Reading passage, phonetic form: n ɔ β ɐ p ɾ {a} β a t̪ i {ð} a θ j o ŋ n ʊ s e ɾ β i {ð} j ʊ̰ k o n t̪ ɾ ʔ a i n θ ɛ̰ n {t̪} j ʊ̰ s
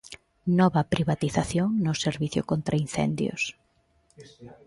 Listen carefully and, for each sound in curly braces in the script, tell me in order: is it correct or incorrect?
incorrect: i, incorrect: θ, incorrect: θ, incorrect: d̪

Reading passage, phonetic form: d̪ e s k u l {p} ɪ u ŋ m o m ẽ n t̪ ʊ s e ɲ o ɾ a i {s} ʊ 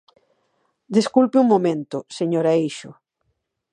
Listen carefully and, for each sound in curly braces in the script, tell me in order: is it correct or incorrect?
correct, incorrect: ʃ

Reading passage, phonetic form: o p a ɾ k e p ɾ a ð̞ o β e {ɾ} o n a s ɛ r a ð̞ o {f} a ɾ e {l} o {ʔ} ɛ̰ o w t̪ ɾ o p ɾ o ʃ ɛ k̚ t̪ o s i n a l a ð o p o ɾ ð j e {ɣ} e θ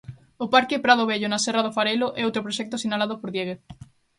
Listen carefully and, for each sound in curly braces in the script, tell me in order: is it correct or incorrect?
incorrect: ʎ, correct, correct, correct, correct

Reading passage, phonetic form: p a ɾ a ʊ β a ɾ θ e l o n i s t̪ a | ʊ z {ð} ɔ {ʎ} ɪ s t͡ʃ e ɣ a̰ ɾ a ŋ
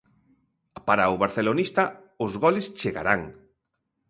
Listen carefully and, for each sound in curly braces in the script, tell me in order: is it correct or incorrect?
incorrect: ɣ, incorrect: l

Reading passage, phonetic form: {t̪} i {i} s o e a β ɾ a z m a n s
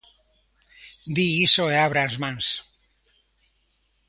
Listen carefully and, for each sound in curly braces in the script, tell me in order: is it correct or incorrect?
incorrect: d̪, correct

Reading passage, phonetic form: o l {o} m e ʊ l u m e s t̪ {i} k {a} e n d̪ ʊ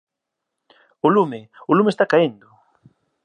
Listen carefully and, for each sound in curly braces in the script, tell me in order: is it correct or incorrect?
incorrect: u, incorrect: a, correct

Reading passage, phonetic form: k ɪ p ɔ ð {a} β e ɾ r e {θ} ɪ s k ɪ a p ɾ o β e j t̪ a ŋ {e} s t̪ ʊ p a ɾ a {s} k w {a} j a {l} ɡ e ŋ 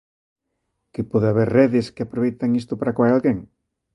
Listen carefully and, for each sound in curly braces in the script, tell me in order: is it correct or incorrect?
correct, incorrect: ð, incorrect: i, incorrect: none, correct, correct

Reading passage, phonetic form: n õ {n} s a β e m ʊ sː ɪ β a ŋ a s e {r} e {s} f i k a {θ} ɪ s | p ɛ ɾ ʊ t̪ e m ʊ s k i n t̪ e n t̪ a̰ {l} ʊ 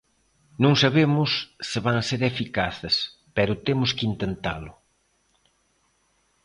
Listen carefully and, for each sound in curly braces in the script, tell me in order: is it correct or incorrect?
incorrect: ŋ, incorrect: ɾ, incorrect: none, correct, correct

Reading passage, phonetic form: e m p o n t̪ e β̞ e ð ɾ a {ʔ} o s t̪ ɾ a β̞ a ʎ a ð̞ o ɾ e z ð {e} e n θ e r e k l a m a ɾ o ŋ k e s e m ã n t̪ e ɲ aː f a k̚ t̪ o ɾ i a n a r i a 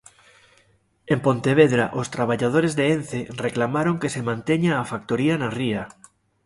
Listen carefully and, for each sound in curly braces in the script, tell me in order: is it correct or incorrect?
correct, correct

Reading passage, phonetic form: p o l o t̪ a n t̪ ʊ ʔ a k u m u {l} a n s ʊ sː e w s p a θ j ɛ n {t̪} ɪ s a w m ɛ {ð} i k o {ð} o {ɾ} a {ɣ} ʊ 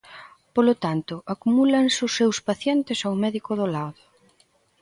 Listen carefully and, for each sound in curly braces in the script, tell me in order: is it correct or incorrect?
correct, correct, correct, correct, incorrect: l, incorrect: ð

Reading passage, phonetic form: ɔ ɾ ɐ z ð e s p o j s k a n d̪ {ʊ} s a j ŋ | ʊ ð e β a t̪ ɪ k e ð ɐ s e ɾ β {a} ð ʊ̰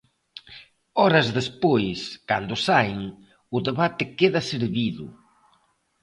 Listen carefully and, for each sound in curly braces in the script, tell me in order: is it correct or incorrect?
correct, incorrect: i

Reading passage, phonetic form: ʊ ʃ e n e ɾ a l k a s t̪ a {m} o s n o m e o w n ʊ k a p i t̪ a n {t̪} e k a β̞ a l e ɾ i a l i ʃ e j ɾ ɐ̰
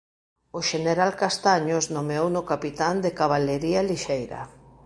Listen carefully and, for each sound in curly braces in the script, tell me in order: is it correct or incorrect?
incorrect: ɲ, incorrect: d̪

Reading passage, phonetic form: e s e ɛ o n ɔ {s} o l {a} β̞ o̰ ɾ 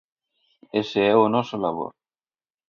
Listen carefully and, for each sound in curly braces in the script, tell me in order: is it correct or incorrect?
correct, correct

